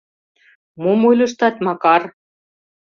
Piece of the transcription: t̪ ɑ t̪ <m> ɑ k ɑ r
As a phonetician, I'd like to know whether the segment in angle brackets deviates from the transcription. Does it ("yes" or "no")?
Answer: no